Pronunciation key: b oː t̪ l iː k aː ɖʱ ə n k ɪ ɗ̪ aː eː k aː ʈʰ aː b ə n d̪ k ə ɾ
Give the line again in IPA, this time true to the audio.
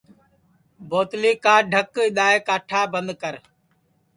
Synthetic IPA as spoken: b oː t̪ l iː k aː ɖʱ ə k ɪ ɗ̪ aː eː k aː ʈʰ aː b ə n d̪ k ə ɾ